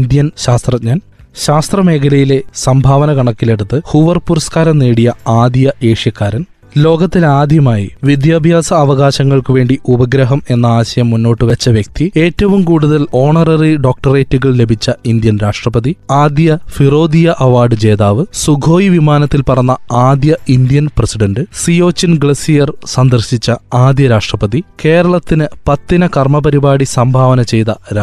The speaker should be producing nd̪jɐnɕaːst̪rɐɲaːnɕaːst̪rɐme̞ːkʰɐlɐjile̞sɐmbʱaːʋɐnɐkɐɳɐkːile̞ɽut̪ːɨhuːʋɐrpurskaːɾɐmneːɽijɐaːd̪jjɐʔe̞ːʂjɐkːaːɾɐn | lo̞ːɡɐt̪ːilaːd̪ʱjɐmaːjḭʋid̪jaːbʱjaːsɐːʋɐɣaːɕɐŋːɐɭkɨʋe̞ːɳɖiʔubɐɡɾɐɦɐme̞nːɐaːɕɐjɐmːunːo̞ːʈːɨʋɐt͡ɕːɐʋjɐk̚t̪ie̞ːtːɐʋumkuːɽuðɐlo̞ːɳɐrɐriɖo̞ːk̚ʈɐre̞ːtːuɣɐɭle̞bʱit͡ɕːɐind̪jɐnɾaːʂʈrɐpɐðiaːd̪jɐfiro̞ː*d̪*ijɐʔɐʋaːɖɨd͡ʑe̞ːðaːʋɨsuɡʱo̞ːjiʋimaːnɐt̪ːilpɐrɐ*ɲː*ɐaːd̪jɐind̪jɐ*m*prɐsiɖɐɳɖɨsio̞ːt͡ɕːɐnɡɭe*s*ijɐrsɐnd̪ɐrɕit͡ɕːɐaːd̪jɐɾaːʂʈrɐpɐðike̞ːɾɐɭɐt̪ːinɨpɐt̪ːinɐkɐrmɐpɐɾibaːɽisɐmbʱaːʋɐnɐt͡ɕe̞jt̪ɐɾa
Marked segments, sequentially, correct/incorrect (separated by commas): correct, incorrect, incorrect, correct